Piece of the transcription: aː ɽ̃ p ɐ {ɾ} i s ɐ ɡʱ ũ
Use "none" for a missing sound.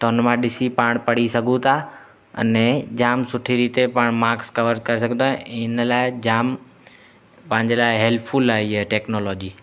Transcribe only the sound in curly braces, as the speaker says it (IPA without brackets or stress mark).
ɽ